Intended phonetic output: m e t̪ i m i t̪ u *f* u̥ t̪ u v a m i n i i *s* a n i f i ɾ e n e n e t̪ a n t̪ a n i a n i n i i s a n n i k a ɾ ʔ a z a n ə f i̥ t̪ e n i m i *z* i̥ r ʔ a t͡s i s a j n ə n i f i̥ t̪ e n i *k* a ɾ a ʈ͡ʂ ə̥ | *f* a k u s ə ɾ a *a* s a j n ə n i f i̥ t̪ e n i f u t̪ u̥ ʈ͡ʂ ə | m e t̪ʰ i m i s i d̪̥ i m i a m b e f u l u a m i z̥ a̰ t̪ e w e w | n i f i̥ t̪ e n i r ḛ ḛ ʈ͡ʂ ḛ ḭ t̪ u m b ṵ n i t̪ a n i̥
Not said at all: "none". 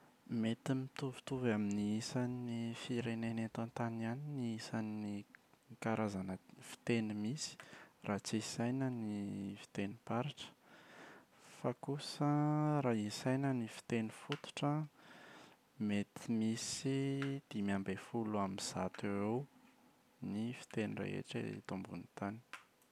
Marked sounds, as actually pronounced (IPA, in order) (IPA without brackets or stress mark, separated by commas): v, s, s, p, f, i